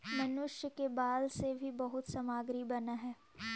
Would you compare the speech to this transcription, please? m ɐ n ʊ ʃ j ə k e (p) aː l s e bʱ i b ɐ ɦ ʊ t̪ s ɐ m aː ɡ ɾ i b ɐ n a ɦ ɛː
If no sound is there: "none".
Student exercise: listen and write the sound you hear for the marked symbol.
b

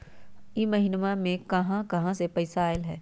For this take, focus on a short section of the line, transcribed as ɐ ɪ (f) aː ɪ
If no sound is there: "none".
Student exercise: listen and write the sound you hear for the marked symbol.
s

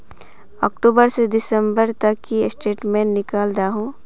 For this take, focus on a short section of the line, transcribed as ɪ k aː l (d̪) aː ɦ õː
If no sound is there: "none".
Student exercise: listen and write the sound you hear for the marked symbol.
d̪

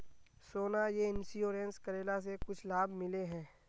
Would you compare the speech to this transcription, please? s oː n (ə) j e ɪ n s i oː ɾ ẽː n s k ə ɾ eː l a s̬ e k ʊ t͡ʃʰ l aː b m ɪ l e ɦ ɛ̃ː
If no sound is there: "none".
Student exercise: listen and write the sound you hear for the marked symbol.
a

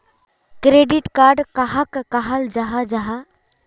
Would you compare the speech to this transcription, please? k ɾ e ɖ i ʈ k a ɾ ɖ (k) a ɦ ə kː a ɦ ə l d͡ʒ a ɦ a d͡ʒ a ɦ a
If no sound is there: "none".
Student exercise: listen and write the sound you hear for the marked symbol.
k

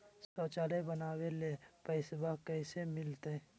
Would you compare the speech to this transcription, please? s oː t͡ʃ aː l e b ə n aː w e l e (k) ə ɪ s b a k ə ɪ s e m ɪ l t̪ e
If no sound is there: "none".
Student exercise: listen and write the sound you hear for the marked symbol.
p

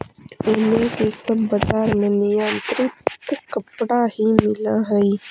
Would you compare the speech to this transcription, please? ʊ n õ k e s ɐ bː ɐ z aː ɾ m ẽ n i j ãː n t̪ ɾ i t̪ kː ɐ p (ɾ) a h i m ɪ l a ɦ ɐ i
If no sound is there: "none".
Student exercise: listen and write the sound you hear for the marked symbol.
ɽ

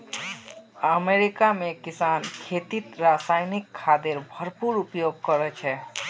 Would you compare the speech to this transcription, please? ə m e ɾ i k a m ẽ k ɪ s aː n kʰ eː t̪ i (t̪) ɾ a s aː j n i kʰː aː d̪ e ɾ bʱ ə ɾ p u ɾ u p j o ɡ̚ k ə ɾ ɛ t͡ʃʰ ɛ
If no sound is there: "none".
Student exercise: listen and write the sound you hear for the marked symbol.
t̪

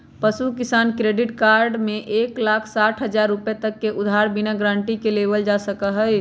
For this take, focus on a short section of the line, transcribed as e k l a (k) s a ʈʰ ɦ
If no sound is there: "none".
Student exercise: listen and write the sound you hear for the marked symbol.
kʰ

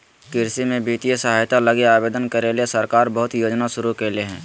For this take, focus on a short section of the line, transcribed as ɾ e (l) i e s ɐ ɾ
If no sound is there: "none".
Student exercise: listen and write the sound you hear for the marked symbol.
l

